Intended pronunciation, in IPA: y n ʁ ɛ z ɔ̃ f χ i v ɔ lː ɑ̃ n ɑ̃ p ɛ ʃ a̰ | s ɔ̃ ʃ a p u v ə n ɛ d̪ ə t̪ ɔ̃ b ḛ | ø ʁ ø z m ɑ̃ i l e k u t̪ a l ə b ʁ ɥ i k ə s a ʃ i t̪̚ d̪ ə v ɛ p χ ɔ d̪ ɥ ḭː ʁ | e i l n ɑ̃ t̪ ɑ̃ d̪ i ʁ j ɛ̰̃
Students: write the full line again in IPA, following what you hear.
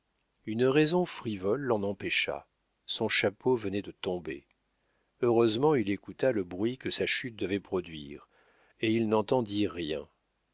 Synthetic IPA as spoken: y n ʁ ɛ z ɔ̃ f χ i v ɔ lː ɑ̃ n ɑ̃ p ɛ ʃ a̰ | s ɔ̃ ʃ a p o v ə n ɛ d̪ ə t̪ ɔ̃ b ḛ | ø ʁ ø z m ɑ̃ i l e k u t̪ a l ə b ʁ ɥ i k ə s a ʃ y t̪̚ d̪ ə v ɛ p χ ɔ d̪ ɥ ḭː ʁ | e i l n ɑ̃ t̪ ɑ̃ d̪ i ʁ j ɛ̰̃